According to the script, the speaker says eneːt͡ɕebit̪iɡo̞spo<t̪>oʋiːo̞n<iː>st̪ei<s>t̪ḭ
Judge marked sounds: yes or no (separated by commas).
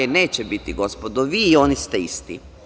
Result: no, no, yes